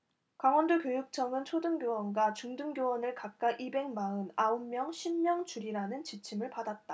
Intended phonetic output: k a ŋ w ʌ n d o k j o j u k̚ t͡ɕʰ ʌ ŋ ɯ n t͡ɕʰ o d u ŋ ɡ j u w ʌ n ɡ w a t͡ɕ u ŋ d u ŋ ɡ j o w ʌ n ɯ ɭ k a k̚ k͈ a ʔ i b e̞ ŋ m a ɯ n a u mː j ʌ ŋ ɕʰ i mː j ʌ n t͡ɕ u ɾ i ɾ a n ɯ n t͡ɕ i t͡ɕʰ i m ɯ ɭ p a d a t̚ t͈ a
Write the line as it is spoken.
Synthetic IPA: k a ŋ w ʌ n d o k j o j u k̚ t͡ɕʰ ʌ ŋ ɯ n t͡ɕʰ o d ɯ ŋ ɡ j o w ʌ n ɡ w a t͡ɕ u ŋ d ɯ ŋ ɡ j o w ʌ n ɯ ɭ k a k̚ k͈ a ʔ i b e̞ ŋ m a ɯ n a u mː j ʌ ŋ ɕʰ i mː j ʌ ŋ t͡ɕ u ɾ i ɾ a n ɯ n t͡ɕ i t͡ɕʰ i m ɯ ɭ p a d a t̚ t͈ a